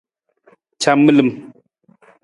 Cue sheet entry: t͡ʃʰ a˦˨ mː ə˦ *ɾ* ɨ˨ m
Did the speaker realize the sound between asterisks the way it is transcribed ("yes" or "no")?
no